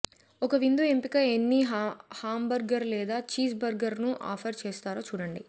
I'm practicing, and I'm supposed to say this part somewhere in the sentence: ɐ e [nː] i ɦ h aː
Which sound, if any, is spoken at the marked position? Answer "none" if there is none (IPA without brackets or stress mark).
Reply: nː